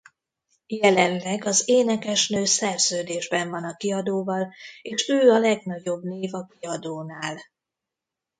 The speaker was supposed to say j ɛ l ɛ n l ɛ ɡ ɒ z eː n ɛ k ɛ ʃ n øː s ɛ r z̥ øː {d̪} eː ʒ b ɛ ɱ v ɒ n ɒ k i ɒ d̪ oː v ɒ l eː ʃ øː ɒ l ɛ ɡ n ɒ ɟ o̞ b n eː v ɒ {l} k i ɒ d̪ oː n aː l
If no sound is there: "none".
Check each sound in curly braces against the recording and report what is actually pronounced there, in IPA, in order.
d̪, none

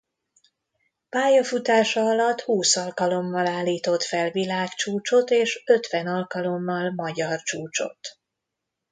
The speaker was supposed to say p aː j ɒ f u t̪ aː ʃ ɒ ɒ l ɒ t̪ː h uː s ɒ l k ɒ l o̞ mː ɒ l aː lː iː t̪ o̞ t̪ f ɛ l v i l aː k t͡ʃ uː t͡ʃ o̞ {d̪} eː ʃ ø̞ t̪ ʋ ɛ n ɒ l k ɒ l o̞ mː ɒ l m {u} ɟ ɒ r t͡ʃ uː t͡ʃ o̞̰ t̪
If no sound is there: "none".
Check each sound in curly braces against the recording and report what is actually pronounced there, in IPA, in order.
t̪, ɒ

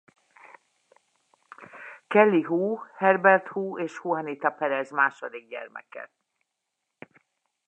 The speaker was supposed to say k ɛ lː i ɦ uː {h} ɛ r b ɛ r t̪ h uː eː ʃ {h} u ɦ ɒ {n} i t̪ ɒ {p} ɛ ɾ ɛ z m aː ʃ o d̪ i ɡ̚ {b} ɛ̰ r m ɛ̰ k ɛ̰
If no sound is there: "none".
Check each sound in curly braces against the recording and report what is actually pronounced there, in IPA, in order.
h, h, n, p, ɟ

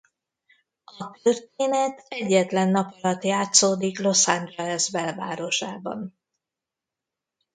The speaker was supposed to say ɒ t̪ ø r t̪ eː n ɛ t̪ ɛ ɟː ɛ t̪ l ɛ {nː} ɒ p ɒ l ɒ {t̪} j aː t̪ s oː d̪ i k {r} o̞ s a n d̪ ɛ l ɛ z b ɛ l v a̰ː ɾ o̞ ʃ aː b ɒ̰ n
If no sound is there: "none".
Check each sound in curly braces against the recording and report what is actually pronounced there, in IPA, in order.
nː, t̪, l

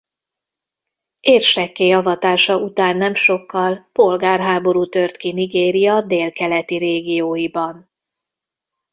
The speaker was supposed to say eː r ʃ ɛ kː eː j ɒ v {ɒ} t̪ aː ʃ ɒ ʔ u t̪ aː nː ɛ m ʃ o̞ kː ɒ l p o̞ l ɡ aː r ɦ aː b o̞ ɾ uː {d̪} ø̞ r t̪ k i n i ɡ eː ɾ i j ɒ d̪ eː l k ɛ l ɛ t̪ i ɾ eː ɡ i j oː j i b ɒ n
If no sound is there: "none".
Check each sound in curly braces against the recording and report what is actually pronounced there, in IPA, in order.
ɒ, t̪

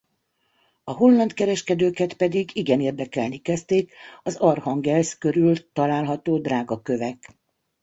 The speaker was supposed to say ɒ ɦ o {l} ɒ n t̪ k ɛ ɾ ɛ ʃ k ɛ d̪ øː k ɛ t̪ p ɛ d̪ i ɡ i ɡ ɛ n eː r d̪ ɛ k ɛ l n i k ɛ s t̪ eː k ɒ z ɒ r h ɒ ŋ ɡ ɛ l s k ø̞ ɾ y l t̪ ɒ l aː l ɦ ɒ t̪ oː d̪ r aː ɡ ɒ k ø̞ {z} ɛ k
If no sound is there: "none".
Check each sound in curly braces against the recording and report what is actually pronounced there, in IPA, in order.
lː, v

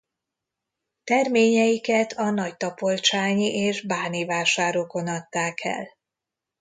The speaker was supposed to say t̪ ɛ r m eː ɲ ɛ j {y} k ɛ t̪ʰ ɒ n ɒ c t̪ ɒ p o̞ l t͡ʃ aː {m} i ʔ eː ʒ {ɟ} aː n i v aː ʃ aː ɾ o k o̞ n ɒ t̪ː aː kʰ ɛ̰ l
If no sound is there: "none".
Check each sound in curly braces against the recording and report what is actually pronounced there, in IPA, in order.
i, ɲ, b

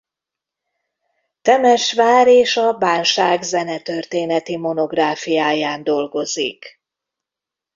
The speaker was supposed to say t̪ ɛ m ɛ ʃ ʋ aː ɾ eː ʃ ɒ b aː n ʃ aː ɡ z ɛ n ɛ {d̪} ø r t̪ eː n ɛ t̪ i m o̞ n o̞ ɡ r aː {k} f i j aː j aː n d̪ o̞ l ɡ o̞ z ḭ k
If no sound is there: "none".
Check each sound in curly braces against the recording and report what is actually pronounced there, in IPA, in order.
t̪, none

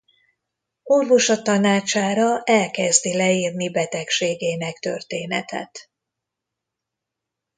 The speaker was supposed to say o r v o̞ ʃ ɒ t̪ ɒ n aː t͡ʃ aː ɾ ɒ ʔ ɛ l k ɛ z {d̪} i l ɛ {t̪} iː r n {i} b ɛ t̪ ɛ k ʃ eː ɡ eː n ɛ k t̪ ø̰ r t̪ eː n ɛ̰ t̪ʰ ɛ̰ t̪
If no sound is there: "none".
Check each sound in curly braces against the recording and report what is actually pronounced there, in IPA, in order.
d̪, none, i

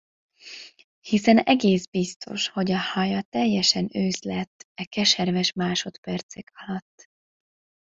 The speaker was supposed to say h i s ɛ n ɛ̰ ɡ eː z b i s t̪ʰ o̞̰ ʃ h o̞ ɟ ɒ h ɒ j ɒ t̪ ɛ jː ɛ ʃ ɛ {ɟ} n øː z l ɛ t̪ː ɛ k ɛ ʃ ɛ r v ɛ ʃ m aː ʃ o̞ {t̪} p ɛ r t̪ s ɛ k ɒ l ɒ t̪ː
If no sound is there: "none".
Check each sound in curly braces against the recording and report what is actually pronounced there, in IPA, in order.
none, t̪

